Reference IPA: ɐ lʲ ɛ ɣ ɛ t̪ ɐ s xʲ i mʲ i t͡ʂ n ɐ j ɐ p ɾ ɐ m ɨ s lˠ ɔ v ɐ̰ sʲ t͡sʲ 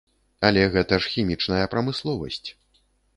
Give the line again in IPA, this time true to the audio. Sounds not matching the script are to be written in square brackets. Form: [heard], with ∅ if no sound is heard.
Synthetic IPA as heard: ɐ lʲ ɛ ɣ ɛ t̪ ɐ [ʂ] xʲ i mʲ i t͡ʂ n ɐ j ɐ p ɾ ɐ m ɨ s lˠ ɔ v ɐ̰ sʲ t͡sʲ

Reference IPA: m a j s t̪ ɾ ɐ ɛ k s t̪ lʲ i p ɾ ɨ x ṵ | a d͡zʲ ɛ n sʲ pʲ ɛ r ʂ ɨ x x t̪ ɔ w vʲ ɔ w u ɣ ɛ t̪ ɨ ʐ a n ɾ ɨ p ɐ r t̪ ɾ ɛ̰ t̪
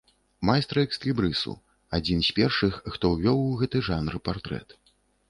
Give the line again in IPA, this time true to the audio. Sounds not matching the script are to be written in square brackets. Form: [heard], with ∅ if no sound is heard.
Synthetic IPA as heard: m a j s t̪ ɾ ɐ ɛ k s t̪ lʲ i [b] ɾ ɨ [s] ṵ | a d͡zʲ [i] n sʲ pʲ ɛ r ʂ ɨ x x t̪ ɔ w vʲ ɔ w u ɣ ɛ t̪ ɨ ʐ a n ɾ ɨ p [a] r t̪ ɾ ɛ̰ t̪

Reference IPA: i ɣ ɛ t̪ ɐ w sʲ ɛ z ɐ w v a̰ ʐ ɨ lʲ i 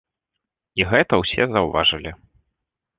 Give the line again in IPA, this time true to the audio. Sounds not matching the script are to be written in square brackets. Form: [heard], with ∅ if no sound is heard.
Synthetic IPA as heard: i ɣ ɛ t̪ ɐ w sʲ ɛ z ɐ w v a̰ ʐ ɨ lʲ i

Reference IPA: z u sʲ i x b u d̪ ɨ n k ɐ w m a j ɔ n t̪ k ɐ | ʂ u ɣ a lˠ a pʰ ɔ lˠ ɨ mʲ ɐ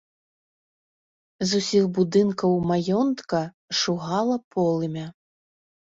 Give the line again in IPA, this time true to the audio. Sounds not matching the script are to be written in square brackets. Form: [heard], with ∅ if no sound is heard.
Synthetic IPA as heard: z u sʲ i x b u d̪ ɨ n k ɐ w m a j ɔ n t̪ k ɐ | ʂ u ɣ a lˠ [ɐ] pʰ ɔ lˠ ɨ mʲ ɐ

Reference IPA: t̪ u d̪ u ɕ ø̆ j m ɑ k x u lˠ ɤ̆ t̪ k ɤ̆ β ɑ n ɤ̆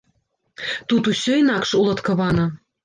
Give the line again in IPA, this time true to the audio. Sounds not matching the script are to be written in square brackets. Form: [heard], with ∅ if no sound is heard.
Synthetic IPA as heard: t̪ u [t̪] u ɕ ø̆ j [n] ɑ k [ʃ] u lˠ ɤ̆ t̪ k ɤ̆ β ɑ n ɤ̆

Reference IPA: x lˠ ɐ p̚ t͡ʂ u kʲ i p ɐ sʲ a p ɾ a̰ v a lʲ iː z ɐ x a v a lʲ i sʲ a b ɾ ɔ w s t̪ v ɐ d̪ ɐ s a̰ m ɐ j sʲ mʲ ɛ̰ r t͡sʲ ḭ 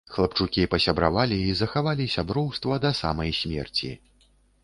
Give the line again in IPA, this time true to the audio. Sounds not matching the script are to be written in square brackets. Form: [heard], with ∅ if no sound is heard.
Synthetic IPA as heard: x lˠ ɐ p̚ t͡ʂ u kʲ i p ɐ sʲ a [b] ɾ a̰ v a lʲ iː z ɐ x a v a lʲ i sʲ a b ɾ ɔ w s t̪ v ɐ d̪ ɐ s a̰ m ɐ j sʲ mʲ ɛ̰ r t͡sʲ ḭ

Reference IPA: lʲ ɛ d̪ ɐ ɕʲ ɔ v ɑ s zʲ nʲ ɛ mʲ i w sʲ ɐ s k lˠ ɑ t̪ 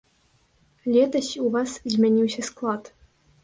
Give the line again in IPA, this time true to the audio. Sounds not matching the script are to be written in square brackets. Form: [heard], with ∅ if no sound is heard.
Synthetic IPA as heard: lʲ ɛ [t̪] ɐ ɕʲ [u] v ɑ s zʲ [mʲ] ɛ [nʲ] i w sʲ ɐ s k lˠ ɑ t̪

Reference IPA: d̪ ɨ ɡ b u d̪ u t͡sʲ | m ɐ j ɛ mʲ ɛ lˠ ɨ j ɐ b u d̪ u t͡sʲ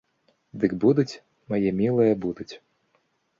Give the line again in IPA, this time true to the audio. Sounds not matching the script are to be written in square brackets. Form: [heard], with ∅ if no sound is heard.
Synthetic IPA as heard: d̪ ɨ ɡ b u d̪ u t͡sʲ | m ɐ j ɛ mʲ [i] lˠ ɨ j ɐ b u d̪ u t͡sʲ

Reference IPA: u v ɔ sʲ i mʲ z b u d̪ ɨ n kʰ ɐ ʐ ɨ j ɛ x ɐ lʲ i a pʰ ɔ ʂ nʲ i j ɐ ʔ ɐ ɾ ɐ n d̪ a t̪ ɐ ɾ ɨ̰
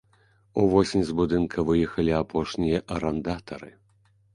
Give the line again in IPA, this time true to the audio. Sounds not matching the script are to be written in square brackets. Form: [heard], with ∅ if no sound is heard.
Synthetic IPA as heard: u v ɔ sʲ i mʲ z b u d̪ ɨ n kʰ ɐ [v] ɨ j ɛ x ɐ lʲ i a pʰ ɔ ʂ nʲ i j ɐ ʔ ɐ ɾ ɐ n d̪ a t̪ ɐ ɾ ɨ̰

